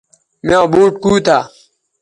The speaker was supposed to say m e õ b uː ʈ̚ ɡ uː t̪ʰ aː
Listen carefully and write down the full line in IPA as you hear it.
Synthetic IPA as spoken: m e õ b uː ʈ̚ k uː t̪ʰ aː